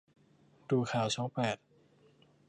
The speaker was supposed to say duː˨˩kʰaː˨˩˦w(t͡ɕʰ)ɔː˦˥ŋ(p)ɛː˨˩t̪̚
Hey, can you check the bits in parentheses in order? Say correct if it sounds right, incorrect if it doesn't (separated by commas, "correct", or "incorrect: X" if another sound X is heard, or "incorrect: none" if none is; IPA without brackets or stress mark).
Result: correct, correct